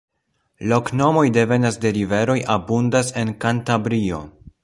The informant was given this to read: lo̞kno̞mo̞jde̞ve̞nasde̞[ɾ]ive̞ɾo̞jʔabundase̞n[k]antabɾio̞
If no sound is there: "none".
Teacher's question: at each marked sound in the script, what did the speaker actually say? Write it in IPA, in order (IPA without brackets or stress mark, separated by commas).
ɾ, k